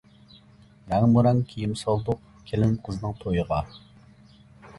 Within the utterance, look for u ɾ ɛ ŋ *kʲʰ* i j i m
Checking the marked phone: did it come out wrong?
no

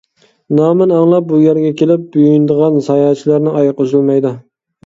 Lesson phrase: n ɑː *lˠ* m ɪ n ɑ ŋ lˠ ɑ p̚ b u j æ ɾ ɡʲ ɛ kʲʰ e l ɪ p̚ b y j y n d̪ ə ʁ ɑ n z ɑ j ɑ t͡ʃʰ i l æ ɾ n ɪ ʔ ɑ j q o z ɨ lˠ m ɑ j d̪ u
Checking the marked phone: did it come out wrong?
yes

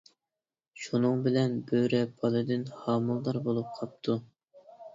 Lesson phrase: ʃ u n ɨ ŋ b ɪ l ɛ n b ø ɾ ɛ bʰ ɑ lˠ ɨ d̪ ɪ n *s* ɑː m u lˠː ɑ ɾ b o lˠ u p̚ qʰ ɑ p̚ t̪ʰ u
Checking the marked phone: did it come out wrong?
yes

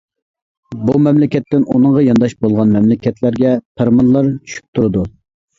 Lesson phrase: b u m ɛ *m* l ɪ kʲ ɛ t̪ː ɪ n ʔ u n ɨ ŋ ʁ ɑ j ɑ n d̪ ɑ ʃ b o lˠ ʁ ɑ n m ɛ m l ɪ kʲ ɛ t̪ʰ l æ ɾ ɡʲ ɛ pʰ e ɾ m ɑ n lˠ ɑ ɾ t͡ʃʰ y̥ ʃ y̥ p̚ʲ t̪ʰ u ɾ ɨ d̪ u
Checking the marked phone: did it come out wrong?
no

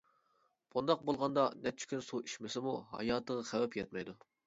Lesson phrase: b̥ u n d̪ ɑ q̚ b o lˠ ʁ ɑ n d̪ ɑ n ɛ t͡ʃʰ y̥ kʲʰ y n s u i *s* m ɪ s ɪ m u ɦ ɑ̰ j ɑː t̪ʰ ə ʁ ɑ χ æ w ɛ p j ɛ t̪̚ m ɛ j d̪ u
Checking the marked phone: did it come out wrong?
yes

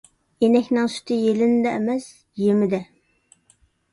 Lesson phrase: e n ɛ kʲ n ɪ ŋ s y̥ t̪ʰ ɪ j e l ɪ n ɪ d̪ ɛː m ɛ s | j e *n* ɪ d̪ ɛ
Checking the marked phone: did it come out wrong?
yes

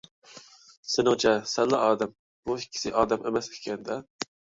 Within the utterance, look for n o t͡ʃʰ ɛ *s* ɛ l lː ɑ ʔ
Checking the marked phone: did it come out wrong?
no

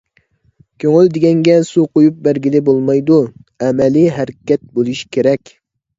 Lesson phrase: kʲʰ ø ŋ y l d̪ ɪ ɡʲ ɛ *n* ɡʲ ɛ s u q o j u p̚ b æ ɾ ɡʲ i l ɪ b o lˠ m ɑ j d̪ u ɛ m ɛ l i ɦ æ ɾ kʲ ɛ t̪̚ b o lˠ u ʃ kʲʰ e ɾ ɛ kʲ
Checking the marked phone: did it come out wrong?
yes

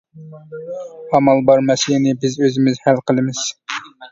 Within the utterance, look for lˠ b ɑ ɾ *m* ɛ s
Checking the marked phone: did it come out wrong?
no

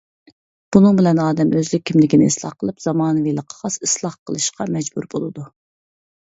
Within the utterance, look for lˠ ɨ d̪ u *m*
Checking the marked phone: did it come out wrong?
yes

